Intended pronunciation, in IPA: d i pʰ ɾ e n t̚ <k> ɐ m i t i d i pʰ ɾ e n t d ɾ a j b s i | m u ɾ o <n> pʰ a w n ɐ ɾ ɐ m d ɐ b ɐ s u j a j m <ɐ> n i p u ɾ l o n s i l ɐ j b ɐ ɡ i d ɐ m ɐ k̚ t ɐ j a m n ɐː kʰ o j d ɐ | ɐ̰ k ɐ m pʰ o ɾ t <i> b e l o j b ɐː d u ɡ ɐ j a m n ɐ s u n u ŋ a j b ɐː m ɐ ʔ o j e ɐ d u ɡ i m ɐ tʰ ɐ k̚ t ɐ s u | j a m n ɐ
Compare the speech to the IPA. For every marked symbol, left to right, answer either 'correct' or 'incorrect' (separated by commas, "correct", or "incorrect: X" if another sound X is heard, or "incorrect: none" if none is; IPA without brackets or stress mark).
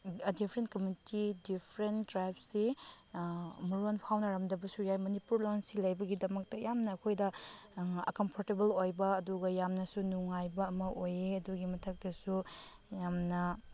correct, correct, correct, incorrect: e